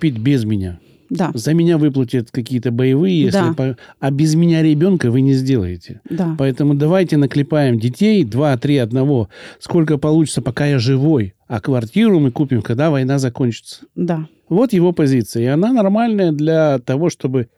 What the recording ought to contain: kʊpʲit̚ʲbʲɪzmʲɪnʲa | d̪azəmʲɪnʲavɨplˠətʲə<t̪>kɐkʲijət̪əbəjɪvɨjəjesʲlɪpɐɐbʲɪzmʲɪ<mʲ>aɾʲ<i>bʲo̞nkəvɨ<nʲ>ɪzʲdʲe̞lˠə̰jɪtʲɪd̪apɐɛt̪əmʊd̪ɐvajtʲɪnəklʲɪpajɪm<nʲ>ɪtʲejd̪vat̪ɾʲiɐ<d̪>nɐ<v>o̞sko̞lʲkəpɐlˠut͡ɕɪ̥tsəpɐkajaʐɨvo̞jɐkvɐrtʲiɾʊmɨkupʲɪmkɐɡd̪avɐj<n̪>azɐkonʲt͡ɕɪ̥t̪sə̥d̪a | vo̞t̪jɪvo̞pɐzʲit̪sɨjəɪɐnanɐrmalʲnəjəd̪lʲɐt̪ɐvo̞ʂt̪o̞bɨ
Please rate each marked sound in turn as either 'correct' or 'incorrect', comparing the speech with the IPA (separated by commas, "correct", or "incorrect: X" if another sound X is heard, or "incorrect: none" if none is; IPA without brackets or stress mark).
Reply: correct, incorrect: nʲ, incorrect: ɪ, correct, incorrect: dʲ, correct, correct, correct